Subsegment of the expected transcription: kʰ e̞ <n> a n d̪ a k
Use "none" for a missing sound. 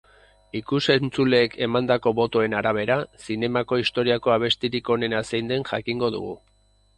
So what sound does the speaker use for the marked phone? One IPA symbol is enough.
m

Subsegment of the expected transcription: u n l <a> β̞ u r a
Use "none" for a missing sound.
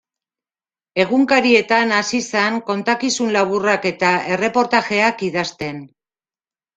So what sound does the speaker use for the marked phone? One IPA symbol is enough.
a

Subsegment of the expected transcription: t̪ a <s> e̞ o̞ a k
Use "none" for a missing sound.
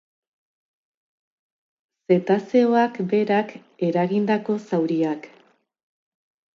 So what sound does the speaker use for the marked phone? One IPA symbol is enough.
s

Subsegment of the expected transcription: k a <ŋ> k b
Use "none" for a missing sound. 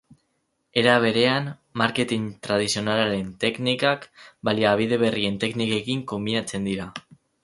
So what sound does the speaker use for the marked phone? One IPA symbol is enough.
none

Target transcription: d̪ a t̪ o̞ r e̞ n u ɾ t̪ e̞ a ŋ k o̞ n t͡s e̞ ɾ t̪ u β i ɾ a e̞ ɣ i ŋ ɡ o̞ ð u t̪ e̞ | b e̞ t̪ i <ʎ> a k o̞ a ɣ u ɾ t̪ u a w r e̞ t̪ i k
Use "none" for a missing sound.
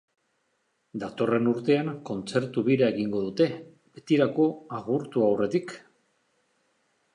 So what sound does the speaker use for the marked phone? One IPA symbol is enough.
ɾ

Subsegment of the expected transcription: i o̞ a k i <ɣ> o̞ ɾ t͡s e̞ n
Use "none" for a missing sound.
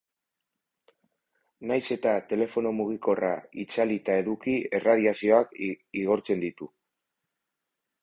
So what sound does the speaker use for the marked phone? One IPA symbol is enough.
ɣ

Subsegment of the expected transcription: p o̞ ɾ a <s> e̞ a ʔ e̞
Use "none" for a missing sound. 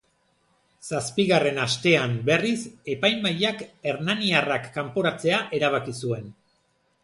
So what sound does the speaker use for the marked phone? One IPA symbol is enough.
t͡s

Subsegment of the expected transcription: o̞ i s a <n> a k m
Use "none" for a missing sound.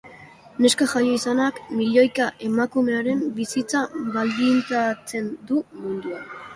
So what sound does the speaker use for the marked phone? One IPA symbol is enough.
n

